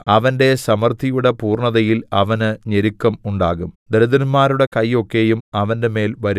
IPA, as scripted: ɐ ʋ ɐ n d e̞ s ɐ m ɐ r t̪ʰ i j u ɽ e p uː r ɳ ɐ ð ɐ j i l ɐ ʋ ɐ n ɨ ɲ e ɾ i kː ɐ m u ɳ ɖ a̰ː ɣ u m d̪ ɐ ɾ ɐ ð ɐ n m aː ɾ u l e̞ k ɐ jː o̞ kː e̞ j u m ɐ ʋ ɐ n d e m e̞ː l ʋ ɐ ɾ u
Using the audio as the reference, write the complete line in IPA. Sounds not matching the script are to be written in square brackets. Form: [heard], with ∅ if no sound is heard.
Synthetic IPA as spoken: ɐ ʋ ɐ n d e̞ s ɐ m ɐ r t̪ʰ i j u ɽ e p uː r ɳ ɐ ð ɐ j i l ɐ ʋ ɐ n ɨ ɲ e ɾ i kː ɐ m u ɳ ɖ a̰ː ɣ u m d̪ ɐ ɾ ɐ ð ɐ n m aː ɾ u [ɽ] e̞ k ɐ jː o̞ kː e̞ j u m ɐ ʋ ɐ n d e m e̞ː l ʋ ɐ ɾ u

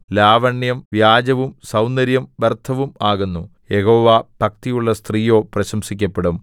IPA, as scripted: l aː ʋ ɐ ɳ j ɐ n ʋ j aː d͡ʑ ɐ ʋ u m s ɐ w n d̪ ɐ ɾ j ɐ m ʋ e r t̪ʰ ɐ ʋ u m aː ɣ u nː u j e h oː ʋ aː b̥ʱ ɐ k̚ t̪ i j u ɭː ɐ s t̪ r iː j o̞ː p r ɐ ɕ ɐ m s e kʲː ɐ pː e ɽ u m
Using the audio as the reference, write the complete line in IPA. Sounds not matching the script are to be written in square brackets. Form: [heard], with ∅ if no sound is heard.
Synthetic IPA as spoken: l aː ʋ ɐ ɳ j ɐ [m] ʋ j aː d͡ʑ ɐ ʋ u m s ɐ w n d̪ ɐ ɾ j ɐ m ʋ e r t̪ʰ ɐ ʋ u m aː ɣ u nː u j e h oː ʋ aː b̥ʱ ɐ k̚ t̪ i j u ɭː ɐ s t̪ r iː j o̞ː p r ɐ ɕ ɐ m s [i] kʲː ɐ pː e ɽ u m

